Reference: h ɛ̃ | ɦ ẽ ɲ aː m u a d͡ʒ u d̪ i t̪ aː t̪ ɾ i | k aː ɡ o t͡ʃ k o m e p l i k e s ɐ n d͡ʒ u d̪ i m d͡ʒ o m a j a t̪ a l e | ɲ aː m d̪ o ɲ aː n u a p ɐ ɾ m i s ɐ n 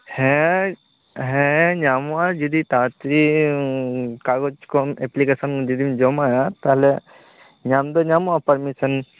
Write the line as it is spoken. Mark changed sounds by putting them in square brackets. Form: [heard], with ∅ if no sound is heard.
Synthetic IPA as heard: h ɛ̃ | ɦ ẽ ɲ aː m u a d͡ʒ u d̪ i t̪ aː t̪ ɾ i | k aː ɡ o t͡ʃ k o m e p l i k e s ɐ n d͡ʒ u d̪ i m d͡ʒ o m a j a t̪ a l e | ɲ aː m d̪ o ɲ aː [m] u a p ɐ ɾ m i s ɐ n